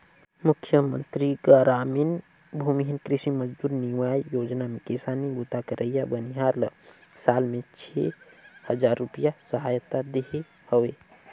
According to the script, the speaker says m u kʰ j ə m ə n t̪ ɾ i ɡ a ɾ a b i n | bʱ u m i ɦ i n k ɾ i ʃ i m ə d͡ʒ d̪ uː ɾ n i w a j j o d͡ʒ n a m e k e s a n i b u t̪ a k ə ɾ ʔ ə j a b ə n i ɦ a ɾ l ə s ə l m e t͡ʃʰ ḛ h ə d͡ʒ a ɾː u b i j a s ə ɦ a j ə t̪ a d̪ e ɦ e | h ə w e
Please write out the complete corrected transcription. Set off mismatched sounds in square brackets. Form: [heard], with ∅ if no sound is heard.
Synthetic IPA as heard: m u kʰ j ə m ə n t̪ ɾ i ɡ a ɾ a [m] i n | bʱ u m i ɦ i n k ɾ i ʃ i m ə d͡ʒ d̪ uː ɾ n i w a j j o d͡ʒ n a m e k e s a n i b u t̪ a k ə ɾ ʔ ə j a b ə n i ɦ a ɾ l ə s [a] l m e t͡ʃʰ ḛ h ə d͡ʒ a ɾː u [p] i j a s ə ɦ a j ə t̪ a d̪ e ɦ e | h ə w e

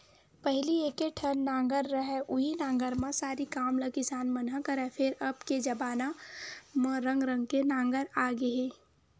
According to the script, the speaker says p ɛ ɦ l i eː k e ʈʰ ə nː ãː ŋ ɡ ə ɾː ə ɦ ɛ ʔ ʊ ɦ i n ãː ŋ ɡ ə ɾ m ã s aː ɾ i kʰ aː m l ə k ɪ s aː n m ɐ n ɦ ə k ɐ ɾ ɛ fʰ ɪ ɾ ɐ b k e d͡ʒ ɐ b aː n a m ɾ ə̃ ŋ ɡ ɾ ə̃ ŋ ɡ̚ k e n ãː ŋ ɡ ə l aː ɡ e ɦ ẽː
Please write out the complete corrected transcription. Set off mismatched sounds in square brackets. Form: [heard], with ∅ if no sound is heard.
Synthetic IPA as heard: p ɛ ɦ l i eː k e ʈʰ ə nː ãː ŋ ɡ ə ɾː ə ɦ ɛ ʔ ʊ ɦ i n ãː ŋ ɡ ə ɾ m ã s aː ɾ i [k] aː m l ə k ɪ s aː n m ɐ n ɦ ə k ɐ ɾ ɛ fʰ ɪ ɾ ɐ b k e d͡ʒ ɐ b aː n a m ɾ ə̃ ŋ ɡ ɾ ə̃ ŋ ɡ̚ k e n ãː ŋ ɡ ə [ɾ] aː ɡ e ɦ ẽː

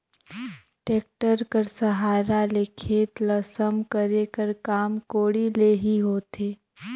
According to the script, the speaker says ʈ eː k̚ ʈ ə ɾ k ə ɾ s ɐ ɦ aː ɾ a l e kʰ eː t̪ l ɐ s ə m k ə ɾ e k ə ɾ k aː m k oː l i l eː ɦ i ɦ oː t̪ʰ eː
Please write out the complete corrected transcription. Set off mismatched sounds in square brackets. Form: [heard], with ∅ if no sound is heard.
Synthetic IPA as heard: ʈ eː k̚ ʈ ə ɾ k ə ɾ s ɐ ɦ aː ɾ a l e kʰ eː t̪ l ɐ s ə m k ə ɾ e k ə ɾ k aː m k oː [ɽ] i l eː ɦ i ɦ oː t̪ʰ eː

